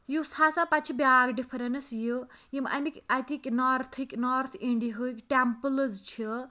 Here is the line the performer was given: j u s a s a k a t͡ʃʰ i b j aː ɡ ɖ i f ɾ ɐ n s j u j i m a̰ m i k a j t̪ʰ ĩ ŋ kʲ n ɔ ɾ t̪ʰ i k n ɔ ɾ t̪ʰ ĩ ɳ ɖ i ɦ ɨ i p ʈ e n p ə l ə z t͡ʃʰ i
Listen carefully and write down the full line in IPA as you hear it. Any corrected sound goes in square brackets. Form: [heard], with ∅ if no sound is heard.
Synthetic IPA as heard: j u s a s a [p] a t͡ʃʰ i b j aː ɡ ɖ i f ɾ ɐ n s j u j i m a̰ m i k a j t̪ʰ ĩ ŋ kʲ n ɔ ɾ t̪ʰ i k n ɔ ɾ t̪ʰ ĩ ɳ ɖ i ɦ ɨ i [k] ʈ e [m] p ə l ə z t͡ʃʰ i